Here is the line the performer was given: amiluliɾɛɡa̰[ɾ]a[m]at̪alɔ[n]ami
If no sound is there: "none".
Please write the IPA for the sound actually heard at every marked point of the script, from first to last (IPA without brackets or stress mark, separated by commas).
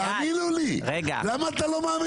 l, m, m